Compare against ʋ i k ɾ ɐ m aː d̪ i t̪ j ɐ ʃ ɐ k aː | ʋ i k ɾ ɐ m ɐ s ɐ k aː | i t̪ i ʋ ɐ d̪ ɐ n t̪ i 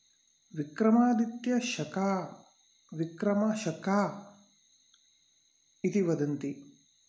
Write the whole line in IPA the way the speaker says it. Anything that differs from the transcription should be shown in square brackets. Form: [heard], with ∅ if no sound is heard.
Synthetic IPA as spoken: ʋ i k ɾ ɐ m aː d̪ i t̪ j ɐ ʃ ɐ k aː | ʋ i k ɾ ɐ m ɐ [ʃ] ɐ k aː | i t̪ i ʋ ɐ d̪ ɐ n t̪ i